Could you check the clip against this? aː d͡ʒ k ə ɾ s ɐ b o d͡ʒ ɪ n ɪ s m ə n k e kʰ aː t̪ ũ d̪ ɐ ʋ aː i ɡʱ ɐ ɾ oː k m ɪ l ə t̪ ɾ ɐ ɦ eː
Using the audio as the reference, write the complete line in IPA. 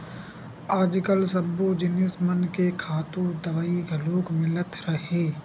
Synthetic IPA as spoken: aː d͡ʒ k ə l s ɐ b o d͡ʒ ɪ n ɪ s m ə n k e kʰ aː t̪ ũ d̪ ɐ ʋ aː i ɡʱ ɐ l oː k m ɪ l ə t̪ ɾ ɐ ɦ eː